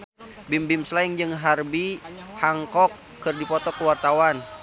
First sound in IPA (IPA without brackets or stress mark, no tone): b